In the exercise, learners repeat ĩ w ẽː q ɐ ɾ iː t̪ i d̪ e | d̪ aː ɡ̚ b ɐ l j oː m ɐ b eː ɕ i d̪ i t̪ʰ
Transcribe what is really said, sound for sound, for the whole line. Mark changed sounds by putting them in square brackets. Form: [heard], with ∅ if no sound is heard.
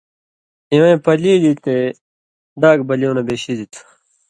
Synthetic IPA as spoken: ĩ w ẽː [p] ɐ [l] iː [d̪] i [t̪] e | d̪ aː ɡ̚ b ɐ l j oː [n] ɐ b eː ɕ i d̪ i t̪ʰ